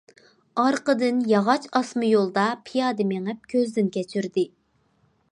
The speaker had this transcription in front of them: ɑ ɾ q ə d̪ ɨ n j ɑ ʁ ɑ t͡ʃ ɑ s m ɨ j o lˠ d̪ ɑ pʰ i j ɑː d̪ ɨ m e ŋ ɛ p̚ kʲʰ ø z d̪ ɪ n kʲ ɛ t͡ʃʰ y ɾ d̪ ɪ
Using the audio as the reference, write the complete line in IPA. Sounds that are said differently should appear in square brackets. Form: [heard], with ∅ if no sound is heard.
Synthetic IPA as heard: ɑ ɾ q ə d̪ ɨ n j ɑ ʁ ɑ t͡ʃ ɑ s m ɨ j o lˠ d̪ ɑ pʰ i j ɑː d̪ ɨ m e ŋ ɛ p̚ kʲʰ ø z d̪ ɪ n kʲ ɛ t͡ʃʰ y ɾ d̪ ɪ

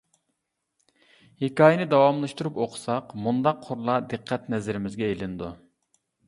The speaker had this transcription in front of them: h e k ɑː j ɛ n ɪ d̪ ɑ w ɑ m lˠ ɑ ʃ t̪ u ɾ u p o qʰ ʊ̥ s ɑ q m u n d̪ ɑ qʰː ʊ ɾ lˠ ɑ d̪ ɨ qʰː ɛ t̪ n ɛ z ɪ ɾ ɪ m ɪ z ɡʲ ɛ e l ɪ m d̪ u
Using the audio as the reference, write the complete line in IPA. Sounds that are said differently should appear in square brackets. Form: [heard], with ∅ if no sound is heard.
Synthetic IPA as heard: h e k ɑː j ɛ n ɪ d̪ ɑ w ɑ m lˠ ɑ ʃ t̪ u ɾ u p o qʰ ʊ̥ s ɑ q m u n d̪ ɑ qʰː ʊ ɾ lˠ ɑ d̪ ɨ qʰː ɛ t̪ n ɛ z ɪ ɾ ɪ m ɪ z ɡʲ ɛ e l ɪ [n] d̪ u

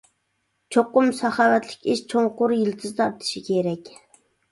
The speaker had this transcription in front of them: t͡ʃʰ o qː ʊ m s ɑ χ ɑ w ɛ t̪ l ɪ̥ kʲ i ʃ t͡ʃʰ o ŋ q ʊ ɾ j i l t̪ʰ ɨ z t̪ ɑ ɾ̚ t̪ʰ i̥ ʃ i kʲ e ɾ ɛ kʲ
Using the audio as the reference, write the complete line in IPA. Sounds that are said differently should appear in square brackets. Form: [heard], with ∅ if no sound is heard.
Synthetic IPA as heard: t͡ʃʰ o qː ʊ m s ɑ χ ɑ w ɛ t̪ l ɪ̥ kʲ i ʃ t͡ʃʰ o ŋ q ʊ ɾ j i l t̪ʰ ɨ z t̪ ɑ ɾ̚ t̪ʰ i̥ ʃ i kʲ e ɾ ɛ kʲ

